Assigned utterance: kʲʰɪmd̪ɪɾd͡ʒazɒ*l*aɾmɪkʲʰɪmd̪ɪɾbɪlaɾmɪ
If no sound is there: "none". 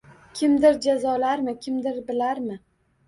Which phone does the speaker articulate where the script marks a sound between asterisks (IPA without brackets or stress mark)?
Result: l